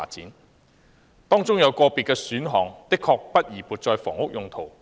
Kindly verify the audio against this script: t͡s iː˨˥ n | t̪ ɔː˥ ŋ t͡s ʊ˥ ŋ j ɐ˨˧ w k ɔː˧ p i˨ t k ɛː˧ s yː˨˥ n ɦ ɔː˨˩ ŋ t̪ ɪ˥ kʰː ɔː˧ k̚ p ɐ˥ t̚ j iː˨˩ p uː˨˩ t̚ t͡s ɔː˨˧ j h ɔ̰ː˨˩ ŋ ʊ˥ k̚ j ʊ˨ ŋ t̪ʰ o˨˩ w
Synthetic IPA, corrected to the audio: t͡s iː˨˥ n | t̪ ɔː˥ ŋ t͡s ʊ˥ ŋ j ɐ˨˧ w k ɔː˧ p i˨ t k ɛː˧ s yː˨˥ n ɦ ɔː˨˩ ŋ t̪ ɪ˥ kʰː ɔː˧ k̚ p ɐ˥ t̚ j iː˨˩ p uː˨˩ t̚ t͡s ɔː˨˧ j f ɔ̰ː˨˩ ŋ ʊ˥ k̚ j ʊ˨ ŋ t̪ʰ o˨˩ w